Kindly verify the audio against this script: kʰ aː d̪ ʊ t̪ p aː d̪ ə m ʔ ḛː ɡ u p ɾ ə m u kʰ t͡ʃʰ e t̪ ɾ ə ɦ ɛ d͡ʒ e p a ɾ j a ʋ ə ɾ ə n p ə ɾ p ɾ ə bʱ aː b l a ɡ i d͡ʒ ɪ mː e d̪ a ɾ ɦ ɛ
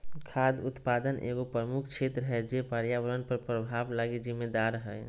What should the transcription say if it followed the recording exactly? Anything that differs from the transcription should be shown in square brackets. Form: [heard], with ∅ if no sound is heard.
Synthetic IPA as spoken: kʰ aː d̪ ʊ t̪ p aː d̪ ə [n] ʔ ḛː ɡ [o] p ɾ ə m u kʰ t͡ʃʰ e t̪ ɾ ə ɦ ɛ d͡ʒ e p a ɾ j a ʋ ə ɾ ə n p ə ɾ p ɾ ə bʱ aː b l a ɡ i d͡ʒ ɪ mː e d̪ a ɾ ɦ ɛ